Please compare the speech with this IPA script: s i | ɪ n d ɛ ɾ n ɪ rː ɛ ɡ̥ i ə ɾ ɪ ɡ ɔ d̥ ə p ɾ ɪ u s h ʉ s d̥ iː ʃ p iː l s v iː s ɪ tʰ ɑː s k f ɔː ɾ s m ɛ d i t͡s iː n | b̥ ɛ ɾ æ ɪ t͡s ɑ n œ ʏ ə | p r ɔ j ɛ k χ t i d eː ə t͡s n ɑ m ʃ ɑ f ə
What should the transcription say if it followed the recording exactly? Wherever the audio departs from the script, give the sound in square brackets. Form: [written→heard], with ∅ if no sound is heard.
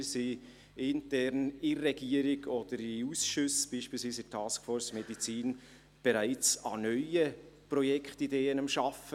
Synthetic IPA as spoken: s i | ɪ n [d→t] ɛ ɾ n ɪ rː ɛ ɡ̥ i ə ɾ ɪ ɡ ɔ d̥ ə [p→∅] ɾ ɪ u s [h→ʃ] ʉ s [d̥→b̥] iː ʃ p iː l s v iː s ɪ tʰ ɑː s k f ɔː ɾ s m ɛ d i t͡s iː n | b̥ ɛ ɾ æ ɪ t͡s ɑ n œ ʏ ə | p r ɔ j ɛ k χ t i d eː ə [t͡s→∅] n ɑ m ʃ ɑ f ə